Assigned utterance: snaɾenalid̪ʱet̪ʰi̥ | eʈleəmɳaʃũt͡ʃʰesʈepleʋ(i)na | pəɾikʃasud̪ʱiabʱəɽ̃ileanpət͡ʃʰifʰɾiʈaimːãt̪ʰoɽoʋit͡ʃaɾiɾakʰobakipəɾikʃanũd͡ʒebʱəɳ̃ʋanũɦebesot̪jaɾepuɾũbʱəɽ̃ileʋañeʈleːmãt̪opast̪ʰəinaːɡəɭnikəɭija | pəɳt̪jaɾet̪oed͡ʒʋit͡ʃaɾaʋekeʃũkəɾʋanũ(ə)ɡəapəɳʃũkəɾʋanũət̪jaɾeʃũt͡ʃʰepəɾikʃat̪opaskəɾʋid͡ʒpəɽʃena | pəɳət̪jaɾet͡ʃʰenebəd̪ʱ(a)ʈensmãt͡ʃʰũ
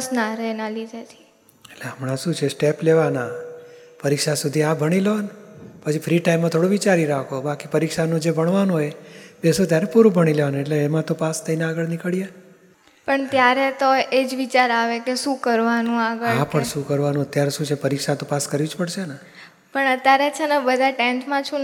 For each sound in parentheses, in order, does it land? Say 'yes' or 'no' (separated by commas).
no, no, yes